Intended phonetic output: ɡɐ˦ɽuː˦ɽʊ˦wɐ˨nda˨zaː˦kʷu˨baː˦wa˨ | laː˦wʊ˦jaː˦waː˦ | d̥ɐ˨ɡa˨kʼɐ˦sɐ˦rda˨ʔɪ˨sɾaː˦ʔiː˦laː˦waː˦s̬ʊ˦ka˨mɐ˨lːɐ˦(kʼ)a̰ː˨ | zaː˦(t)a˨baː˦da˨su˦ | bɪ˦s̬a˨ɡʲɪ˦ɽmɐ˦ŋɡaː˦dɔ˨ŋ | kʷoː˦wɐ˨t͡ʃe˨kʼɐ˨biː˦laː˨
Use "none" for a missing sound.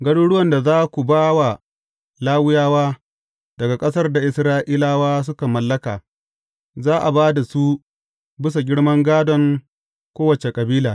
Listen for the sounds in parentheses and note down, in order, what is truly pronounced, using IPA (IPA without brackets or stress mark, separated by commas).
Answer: k, ʔ